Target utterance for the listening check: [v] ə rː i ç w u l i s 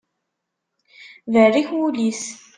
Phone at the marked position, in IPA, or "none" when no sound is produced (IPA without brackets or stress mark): v